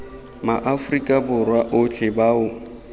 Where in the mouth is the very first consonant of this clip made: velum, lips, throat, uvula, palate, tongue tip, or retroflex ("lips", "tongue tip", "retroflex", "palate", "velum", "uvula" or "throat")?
lips